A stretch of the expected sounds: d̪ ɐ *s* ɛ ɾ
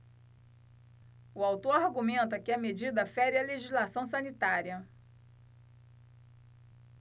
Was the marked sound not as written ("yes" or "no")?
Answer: yes